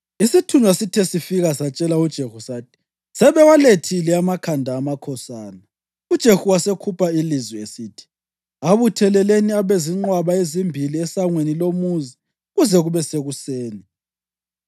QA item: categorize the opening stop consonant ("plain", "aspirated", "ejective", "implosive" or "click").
aspirated